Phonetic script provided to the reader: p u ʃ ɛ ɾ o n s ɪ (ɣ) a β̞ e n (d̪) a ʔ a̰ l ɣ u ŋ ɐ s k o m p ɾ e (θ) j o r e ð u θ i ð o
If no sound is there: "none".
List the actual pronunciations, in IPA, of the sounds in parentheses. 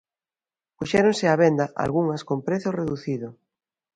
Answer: none, d̪, θ

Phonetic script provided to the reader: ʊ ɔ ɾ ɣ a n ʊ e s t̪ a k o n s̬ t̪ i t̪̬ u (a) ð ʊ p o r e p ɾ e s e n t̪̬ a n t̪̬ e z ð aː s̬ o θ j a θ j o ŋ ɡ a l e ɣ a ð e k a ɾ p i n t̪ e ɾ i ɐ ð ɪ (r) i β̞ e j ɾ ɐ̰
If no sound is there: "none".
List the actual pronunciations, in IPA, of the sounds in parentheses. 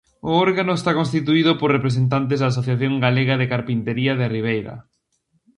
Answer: i, r

